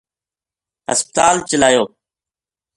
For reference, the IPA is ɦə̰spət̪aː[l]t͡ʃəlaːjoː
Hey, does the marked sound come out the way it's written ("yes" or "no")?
yes